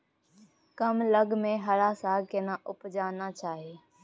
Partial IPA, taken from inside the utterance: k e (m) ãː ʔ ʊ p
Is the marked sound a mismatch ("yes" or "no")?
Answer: yes